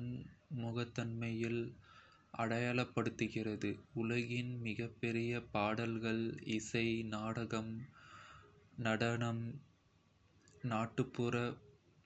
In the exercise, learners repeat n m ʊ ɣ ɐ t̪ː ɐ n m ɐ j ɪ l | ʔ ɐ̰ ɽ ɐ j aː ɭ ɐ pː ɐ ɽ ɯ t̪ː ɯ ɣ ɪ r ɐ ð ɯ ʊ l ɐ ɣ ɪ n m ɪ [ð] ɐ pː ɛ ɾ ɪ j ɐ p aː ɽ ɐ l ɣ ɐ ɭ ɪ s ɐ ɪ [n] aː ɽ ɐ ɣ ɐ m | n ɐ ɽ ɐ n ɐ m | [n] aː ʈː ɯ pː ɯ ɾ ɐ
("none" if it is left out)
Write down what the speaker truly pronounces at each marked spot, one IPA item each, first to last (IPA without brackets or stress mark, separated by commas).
ɣ, n, n